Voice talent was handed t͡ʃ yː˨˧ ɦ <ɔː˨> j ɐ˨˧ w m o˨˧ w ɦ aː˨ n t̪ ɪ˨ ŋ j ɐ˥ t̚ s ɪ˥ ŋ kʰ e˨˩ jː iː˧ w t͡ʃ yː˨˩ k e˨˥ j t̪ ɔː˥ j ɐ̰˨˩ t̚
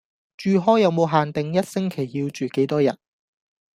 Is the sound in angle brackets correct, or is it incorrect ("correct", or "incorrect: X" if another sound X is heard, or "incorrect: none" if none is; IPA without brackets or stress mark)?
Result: incorrect: ɔː˥